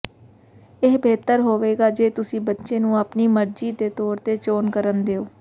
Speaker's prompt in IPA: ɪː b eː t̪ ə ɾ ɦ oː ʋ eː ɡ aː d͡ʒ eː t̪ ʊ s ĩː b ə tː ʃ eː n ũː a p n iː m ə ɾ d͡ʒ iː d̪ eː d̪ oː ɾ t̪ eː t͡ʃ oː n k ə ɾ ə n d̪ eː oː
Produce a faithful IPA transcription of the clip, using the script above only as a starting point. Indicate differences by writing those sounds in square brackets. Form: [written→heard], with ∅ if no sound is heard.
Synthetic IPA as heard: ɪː b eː t̪ ə ɾ ɦ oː ʋ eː ɡ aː d͡ʒ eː t̪ ʊ s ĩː b ə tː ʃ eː n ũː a p n iː m ə ɾ d͡ʒ iː d̪ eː [d̪→t̪] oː ɾ t̪ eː t͡ʃ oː n k ə ɾ ə n d̪ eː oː